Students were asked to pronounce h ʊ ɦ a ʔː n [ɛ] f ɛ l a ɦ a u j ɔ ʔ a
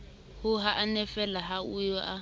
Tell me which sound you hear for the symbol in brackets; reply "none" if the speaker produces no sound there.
ɛ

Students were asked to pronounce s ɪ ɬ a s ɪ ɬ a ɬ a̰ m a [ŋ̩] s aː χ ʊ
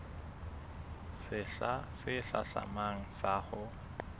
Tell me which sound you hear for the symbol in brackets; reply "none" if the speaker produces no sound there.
ŋ̩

